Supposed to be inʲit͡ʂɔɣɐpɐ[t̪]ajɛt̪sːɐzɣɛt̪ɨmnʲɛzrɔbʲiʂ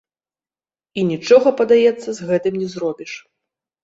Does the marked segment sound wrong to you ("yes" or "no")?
yes